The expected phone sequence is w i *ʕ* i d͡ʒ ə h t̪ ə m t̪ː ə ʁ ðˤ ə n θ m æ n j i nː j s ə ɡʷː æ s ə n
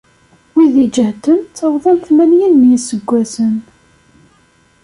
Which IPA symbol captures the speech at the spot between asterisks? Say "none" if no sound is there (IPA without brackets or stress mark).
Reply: ð